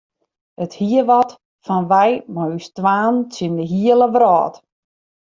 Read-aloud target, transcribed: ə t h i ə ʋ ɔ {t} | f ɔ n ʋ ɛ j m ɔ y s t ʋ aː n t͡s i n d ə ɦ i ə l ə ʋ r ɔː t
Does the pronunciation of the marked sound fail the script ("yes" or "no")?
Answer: no